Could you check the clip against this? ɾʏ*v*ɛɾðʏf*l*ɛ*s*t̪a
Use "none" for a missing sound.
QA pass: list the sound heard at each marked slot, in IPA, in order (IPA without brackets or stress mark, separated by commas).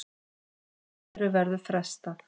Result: v, ɾ, s